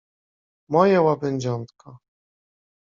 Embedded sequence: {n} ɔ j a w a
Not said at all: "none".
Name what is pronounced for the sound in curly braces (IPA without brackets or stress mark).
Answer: m